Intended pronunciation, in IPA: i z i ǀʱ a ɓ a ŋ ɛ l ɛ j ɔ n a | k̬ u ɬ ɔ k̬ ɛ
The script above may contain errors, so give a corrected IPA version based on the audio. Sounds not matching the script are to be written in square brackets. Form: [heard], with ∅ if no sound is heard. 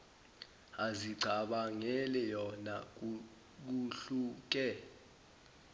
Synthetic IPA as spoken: [a] z i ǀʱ a ɓ a ŋ ɛ l ɛ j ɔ n a | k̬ u ɬ [u] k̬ ɛ